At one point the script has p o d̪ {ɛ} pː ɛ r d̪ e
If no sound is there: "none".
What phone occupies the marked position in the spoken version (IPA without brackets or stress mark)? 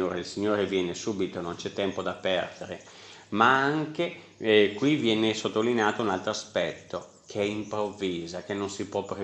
a